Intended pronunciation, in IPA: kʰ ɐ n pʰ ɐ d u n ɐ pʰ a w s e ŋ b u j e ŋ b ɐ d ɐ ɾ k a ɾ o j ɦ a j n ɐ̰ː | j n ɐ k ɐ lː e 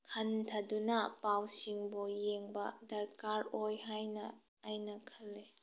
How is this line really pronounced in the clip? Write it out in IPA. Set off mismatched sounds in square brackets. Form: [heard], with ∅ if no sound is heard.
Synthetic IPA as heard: kʰ ɐ n [tʰ] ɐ d u n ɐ [p] a w s [i] ŋ b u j e ŋ b ɐ d ɐ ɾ k a ɾ o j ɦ a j n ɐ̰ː | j n ɐ [kʰ] ɐ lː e